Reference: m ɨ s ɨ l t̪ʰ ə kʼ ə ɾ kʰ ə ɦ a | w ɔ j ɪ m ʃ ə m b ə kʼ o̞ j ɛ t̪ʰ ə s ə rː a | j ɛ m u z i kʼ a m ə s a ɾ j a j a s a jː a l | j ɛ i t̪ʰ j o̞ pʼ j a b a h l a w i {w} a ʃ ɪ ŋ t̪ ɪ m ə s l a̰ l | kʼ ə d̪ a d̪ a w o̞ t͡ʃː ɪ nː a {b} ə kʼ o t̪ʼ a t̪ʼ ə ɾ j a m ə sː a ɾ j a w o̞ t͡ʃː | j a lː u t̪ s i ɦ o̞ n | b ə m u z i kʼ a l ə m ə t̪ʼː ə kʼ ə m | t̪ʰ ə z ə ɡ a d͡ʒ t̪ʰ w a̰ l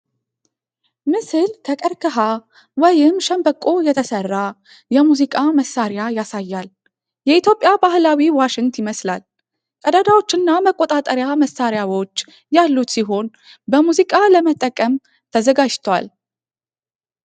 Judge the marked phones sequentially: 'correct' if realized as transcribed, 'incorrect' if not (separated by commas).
correct, incorrect